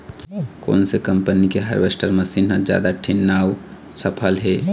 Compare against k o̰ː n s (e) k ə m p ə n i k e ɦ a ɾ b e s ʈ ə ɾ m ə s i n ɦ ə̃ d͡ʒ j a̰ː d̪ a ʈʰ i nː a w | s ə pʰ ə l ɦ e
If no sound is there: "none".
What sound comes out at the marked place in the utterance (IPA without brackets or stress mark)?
e